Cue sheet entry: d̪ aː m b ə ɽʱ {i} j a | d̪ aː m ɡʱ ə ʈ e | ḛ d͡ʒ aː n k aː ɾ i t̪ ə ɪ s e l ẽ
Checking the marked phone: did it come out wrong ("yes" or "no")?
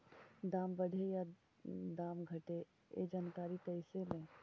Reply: yes